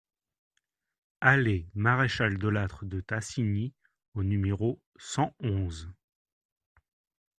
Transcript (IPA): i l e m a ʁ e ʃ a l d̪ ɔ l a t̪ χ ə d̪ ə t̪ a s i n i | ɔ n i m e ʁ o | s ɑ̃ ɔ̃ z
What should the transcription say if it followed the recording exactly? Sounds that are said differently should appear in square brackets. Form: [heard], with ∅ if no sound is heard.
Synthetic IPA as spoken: [a] l e m a ʁ e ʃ a l d̪ ɔ l a t̪ χ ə d̪ ə t̪ a s i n i | [o] n [y] m e ʁ o | s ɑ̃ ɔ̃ z